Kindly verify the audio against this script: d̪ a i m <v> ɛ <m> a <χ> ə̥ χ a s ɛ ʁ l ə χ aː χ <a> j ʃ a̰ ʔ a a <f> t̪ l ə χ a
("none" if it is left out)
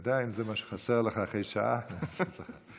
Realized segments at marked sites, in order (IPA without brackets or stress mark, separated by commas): z, m, ʃ, e, s